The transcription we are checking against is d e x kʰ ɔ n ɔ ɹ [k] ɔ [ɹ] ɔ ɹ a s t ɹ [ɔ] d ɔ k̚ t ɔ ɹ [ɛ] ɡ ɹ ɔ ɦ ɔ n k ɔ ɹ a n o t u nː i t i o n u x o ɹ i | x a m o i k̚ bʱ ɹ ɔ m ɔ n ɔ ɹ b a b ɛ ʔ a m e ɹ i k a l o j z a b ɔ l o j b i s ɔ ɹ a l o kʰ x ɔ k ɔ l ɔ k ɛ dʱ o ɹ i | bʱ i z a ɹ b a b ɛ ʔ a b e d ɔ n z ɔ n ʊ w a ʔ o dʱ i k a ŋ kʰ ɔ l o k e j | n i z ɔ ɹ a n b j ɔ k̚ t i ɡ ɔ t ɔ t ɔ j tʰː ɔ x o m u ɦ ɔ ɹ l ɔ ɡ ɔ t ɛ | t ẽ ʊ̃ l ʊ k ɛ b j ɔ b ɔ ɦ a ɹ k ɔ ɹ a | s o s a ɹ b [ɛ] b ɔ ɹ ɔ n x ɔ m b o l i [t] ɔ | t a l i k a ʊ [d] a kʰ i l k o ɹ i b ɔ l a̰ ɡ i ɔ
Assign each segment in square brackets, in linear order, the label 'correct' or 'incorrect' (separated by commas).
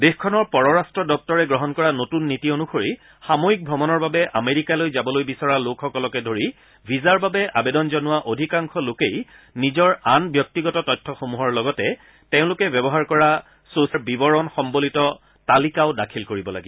incorrect, correct, correct, correct, incorrect, correct, correct